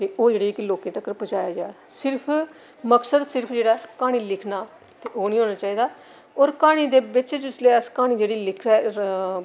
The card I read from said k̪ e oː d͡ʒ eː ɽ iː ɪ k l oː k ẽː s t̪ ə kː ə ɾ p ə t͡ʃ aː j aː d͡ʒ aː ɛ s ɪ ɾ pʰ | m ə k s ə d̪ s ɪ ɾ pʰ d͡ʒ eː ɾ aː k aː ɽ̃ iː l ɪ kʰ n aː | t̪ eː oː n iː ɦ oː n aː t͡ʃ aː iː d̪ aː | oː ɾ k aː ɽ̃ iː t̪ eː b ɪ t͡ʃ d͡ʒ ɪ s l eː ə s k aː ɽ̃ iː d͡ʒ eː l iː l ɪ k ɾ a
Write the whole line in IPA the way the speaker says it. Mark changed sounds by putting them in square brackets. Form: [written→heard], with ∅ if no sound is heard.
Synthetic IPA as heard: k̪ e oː d͡ʒ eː ɽ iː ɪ k l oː k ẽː [s→∅] t̪ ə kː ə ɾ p ə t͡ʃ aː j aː d͡ʒ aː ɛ s ɪ ɾ pʰ | m ə k s ə d̪ s ɪ ɾ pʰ d͡ʒ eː [ɾ→ɽ] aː k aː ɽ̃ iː l ɪ kʰ n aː | t̪ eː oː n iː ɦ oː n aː t͡ʃ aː iː d̪ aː | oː ɾ k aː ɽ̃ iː [t̪→d̪] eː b ɪ t͡ʃ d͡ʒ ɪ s l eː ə s k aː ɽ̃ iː d͡ʒ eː [l→ɽ] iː l ɪ [k→kʰ] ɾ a